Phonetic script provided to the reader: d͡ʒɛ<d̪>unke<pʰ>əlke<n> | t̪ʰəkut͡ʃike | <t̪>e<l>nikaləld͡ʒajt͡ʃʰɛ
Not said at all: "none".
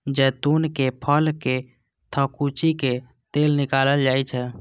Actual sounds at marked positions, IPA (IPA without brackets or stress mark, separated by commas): t̪, pʰ, none, t̪, l